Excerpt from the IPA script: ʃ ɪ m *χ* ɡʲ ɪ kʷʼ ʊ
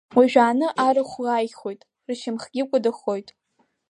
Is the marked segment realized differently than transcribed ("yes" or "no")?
no